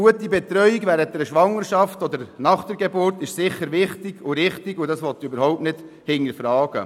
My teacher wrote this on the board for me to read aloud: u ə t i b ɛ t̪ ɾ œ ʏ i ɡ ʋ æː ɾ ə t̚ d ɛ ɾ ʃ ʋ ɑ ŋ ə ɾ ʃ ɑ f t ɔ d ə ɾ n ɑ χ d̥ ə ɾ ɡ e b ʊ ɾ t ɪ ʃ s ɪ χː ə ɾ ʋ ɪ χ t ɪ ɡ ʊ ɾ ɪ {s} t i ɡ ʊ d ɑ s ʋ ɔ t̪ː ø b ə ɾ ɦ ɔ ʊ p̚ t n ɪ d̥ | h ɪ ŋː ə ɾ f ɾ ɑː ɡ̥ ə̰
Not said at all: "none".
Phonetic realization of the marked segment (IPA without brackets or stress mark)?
χ